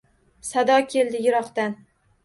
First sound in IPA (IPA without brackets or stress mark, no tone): s